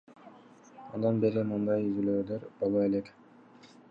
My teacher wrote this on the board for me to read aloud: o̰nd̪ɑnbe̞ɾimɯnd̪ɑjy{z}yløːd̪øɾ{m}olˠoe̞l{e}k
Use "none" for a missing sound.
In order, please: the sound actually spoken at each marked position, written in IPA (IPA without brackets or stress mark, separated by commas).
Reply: z, b, e